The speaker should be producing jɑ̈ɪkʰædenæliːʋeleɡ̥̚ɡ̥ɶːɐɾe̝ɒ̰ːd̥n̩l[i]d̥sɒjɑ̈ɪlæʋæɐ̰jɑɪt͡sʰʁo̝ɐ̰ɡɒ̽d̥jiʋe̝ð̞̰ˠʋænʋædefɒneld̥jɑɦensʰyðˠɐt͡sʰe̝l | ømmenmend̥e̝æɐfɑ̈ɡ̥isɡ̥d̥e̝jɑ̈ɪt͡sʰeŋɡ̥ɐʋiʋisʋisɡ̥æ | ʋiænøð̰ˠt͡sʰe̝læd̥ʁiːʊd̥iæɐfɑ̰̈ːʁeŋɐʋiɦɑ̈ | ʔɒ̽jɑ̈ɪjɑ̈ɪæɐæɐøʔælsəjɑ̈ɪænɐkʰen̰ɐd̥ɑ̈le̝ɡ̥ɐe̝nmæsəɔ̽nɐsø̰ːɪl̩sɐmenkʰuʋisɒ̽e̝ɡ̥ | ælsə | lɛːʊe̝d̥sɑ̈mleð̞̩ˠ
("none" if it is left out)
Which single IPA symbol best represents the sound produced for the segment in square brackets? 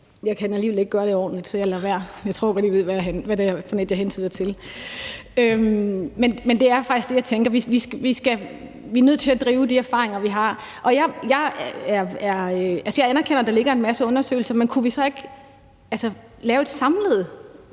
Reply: i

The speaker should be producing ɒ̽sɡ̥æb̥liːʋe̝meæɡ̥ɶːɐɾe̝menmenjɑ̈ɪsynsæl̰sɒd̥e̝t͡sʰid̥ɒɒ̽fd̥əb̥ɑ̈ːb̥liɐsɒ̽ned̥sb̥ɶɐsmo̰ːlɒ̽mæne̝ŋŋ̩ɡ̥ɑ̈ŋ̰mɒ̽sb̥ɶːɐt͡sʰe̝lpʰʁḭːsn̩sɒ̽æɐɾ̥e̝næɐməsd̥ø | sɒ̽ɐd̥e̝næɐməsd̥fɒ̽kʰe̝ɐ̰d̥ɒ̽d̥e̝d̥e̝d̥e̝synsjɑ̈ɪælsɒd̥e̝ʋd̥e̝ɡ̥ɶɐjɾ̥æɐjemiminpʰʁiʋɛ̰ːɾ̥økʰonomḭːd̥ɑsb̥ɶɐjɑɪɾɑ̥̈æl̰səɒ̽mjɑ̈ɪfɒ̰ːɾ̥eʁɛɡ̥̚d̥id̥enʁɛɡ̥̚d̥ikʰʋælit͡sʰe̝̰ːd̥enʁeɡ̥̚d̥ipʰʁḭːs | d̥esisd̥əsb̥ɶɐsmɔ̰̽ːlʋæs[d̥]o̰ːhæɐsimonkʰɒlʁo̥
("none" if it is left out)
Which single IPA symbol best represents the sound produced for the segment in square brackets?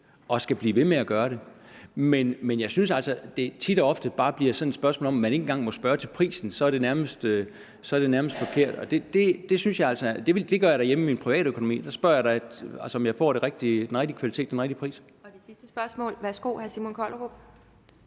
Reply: ɡ̥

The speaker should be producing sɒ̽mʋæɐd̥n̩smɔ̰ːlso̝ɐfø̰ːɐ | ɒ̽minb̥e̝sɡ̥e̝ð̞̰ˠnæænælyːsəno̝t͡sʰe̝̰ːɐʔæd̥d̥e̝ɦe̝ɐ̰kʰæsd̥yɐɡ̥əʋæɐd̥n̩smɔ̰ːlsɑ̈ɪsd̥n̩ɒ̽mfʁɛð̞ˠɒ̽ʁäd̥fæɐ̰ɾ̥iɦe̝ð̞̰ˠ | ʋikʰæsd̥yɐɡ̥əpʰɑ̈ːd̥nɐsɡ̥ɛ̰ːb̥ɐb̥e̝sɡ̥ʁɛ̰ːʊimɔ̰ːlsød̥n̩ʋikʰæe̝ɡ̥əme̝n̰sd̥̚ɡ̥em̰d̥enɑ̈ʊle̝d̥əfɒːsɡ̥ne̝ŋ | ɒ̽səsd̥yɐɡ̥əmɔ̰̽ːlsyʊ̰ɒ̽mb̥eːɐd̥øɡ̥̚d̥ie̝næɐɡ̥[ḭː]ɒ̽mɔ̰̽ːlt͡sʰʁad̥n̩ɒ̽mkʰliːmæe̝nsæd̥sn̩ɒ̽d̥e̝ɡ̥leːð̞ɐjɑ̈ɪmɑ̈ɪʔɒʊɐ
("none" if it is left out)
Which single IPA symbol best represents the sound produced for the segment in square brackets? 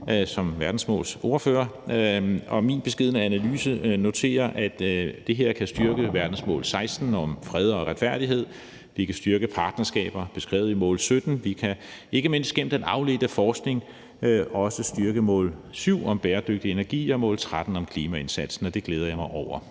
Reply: ḭː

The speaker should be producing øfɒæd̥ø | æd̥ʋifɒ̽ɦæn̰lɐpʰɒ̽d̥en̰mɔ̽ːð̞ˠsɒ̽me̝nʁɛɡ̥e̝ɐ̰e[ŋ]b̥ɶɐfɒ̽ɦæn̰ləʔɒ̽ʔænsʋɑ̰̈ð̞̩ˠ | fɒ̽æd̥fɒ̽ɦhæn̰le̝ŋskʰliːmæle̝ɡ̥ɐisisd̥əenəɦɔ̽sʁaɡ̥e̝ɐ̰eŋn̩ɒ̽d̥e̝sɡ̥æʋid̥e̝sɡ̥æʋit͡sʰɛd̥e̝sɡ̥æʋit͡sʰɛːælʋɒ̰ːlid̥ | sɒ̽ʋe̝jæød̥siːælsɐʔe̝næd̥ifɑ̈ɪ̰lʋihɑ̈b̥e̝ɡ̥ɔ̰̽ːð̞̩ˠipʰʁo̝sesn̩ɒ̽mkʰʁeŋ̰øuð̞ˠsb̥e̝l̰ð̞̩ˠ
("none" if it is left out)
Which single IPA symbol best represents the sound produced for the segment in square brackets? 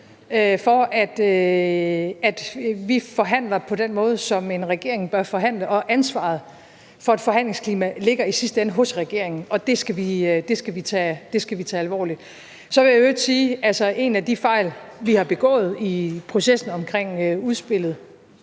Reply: ŋ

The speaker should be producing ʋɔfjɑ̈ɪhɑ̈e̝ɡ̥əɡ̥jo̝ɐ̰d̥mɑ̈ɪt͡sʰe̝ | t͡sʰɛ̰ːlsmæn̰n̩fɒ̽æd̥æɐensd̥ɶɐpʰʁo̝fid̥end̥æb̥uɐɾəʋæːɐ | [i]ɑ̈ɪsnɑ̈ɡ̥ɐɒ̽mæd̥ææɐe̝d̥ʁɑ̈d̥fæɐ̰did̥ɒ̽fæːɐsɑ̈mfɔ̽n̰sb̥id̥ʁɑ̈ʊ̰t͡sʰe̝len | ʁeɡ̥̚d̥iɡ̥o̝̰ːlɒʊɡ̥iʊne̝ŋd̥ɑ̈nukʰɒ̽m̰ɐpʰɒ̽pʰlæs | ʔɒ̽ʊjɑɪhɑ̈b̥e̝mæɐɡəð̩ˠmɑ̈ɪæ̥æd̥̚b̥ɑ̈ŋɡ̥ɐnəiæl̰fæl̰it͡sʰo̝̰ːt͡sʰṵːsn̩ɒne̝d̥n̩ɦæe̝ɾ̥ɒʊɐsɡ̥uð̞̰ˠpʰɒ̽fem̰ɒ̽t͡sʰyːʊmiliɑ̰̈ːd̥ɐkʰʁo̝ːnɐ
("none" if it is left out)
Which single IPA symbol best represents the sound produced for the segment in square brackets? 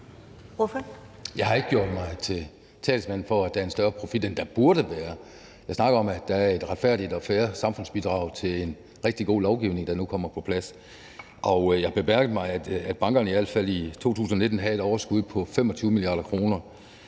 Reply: j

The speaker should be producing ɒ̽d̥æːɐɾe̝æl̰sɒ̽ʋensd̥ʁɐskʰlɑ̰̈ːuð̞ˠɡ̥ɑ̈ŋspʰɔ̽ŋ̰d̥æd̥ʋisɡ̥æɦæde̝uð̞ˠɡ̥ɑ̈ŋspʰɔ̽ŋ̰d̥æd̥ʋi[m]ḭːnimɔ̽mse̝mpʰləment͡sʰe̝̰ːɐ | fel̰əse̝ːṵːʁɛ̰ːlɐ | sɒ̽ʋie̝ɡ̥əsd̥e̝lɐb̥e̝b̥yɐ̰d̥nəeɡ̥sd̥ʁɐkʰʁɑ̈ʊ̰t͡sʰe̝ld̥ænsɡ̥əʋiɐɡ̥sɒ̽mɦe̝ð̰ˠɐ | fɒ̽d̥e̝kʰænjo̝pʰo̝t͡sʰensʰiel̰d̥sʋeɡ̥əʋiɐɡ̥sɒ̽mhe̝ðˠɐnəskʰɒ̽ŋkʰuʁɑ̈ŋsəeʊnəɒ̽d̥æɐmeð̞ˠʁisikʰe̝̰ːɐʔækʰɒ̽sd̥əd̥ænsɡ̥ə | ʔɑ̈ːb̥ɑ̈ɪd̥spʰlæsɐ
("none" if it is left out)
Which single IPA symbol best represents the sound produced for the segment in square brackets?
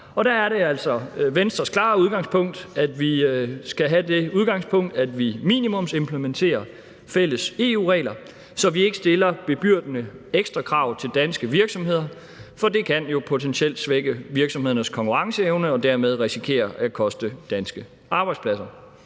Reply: m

